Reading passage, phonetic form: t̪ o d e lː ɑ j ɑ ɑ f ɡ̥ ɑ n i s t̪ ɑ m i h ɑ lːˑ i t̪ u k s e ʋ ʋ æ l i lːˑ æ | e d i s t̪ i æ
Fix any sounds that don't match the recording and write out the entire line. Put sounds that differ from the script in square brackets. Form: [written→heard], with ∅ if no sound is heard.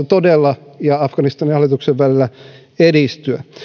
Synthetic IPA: t̪ o d e lː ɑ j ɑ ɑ f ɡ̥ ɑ n i s t̪ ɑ [m→n] i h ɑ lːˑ i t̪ u k s e ʋ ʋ æ l i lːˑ æ | e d i s t̪ [i→y] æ